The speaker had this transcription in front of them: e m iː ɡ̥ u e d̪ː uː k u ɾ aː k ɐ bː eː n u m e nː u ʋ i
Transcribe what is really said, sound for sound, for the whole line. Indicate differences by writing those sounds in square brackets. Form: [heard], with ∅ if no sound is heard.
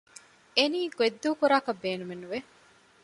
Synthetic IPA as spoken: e [n] iː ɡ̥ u e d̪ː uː k u ɾ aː k ɐ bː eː n u m e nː u ʋ [e]

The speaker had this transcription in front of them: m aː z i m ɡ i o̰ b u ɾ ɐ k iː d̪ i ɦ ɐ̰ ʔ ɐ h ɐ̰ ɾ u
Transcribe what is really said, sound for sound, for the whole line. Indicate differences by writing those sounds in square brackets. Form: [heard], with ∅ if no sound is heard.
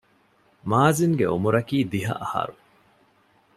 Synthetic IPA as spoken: m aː z i [ŋ] ɡ [e] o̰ [m] u ɾ ɐ k iː d̪ i ɦ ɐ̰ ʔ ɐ h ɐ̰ ɾ u

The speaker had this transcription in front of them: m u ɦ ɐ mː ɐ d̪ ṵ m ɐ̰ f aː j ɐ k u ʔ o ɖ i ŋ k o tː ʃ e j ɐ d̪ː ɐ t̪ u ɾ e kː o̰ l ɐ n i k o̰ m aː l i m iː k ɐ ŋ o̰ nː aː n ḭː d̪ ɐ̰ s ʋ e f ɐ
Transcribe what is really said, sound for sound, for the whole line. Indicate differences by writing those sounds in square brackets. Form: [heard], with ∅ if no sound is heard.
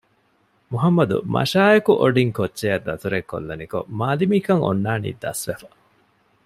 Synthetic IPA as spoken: m u ɦ ɐ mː ɐ d̪ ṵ m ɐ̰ [ʃ] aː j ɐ k u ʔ o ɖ i ŋ k o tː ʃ e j ɐ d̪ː ɐ t̪ u ɾ e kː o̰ [lː] ɐ n i k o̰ m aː l i m iː k ɐ ŋ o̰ nː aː n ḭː d̪ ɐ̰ s ʋ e f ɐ

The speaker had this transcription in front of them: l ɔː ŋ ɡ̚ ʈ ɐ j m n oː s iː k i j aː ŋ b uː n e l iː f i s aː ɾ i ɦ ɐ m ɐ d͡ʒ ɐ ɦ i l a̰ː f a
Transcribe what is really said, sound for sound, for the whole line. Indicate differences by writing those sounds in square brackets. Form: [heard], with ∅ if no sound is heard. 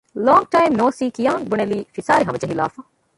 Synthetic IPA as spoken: l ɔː ŋ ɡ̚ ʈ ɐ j m n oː s iː k i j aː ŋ b [u] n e l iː f i s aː ɾ i ɦ ɐ m ɐ d͡ʒ ɐ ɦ i l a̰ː f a

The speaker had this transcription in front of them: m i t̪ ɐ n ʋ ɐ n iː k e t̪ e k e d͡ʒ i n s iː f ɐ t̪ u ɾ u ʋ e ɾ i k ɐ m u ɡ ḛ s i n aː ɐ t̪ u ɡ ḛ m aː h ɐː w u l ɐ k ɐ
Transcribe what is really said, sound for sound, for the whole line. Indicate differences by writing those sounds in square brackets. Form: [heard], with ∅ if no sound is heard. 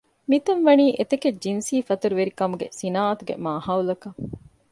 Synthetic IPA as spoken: m i t̪ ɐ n ʋ ɐ n iː [ʔ] e t̪ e k e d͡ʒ i n s iː f ɐ t̪ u ɾ u ʋ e ɾ i k ɐ m u ɡ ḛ s i n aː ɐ t̪ u ɡ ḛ m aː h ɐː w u l ɐ k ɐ

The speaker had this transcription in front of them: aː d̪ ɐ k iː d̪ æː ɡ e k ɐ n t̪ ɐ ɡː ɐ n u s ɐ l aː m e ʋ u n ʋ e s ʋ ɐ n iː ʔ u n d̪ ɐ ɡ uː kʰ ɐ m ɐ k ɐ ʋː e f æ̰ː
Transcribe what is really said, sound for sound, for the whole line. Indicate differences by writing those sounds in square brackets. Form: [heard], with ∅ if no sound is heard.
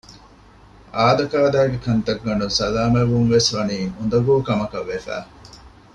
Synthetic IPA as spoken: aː d̪ ɐ k [aː] d̪ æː ɡ e k ɐ n t̪ ɐ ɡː ɐ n u s ɐ l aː m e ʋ u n ʋ e s ʋ ɐ n iː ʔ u n d̪ ɐ ɡ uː [k] ɐ m ɐ k ɐ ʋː e f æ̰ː

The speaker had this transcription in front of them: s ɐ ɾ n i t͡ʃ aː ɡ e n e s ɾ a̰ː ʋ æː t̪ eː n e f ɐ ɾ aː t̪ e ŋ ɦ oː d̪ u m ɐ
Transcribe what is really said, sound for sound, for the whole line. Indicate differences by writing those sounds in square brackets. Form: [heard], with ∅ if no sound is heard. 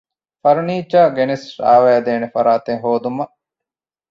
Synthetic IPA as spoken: [f] ɐ ɾ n [iː] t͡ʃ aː ɡ e n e s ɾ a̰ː ʋ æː [d̪] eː n e f ɐ ɾ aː t̪ e ŋ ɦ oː d̪ u m ɐ

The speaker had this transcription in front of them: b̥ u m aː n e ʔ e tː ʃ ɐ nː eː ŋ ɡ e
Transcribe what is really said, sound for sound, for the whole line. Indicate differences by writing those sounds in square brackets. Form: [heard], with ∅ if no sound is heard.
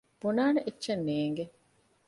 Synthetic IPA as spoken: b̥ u [n] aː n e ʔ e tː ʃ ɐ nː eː ŋ ɡ e

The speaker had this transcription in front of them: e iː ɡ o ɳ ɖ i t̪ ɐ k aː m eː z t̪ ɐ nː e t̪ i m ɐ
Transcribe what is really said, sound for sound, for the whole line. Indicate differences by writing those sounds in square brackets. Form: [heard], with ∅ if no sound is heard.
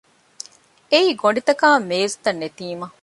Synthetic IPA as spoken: e iː ɡ o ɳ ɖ i t̪ ɐ k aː m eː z t̪ ɐ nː e t̪ [iː] m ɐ

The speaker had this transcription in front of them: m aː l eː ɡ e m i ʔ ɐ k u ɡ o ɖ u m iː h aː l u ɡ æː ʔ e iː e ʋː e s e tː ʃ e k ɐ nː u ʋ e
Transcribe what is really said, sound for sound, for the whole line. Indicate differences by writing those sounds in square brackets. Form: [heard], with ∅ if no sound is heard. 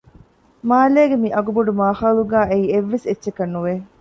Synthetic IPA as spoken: m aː l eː ɡ e m i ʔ ɐ [ɡ] u [b] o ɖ u m [aː] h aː l u ɡ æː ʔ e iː e ʋː e s e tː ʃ e k ɐ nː u ʋ e

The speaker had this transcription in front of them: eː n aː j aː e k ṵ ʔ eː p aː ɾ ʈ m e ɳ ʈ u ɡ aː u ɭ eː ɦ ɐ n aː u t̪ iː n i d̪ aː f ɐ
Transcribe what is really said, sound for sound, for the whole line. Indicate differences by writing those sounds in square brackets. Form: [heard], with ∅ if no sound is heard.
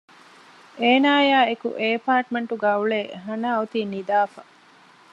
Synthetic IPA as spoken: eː n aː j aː e k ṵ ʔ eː p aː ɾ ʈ m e ɳ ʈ u ɡ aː u ɭ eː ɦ ɐ n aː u t̪ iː n i d̪ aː f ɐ

